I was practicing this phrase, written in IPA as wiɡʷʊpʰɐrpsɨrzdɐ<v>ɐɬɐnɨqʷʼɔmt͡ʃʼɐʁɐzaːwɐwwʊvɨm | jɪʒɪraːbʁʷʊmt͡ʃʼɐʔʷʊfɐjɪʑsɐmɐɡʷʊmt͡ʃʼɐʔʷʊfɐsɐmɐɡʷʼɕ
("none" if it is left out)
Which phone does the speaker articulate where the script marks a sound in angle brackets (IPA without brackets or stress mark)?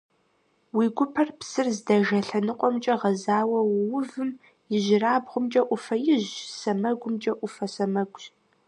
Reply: ʒ